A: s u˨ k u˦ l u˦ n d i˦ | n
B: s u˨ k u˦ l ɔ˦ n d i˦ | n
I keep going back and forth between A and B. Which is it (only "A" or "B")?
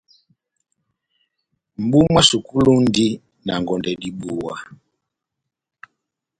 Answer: A